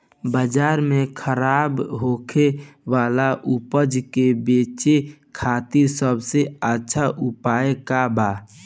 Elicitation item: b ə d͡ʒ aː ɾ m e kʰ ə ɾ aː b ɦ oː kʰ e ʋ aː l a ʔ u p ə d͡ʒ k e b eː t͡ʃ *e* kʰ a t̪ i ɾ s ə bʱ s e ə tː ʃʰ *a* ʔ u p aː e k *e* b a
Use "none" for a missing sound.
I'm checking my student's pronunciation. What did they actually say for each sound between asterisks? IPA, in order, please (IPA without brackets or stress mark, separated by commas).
e, a, a